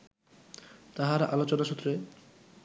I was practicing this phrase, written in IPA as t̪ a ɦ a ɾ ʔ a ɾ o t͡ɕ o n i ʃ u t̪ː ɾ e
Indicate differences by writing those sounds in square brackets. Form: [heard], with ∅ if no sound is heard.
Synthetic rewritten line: t̪ a ɦ a ɾ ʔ a [l] o t͡ɕ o n [a] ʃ u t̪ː ɾ e